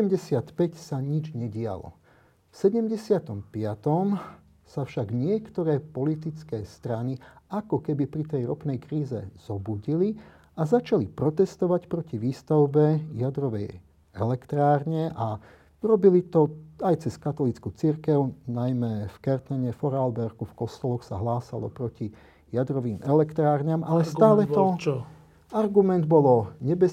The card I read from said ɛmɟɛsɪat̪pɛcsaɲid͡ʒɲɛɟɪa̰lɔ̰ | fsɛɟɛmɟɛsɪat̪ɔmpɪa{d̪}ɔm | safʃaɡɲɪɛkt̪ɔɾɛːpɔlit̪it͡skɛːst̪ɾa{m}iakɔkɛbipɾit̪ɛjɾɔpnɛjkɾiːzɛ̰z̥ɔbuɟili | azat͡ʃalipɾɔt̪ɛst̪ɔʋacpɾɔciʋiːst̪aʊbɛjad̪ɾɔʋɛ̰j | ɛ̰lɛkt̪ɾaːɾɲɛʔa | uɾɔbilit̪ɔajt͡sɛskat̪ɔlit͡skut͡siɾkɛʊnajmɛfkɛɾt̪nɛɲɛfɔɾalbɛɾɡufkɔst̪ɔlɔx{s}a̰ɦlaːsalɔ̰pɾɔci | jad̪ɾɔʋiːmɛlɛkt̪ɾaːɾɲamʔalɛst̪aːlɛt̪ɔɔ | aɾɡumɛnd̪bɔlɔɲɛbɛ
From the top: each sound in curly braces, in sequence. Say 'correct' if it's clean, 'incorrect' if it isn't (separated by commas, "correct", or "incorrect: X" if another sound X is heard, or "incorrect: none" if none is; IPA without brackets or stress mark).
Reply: incorrect: t̪, incorrect: n, correct